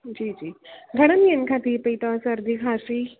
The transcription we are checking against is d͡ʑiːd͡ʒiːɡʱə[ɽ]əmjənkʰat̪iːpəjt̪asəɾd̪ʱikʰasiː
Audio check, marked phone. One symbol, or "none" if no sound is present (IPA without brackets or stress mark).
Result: ɽ